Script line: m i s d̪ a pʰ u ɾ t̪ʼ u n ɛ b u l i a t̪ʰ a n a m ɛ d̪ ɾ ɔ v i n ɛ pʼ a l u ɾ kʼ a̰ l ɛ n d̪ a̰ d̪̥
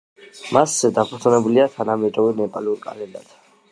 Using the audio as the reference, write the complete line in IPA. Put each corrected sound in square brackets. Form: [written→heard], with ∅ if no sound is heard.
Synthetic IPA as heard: m [i→a] s d̪ a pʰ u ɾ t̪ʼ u n ɛ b u l i a t̪ʰ a n a m ɛ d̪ ɾ ɔ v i n ɛ pʼ a l u ɾ kʼ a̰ l ɛ n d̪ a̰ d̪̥